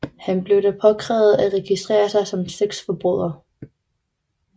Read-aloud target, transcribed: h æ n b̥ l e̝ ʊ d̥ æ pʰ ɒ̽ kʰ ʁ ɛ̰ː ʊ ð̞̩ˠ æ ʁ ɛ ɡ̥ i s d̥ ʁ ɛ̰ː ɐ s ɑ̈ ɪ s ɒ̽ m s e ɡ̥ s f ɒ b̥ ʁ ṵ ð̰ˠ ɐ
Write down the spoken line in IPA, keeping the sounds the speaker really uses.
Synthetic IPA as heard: h æ n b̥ l e̝ ʊ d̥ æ pʰ ɒ̽ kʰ ʁ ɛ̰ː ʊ ð̞̩ˠ æ ʁ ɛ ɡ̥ i s d̥ ʁ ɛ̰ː ɐ s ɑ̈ ɪ s ɒ̽ m s e ɡ̥ s f ɒ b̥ ʁ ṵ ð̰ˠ ɐ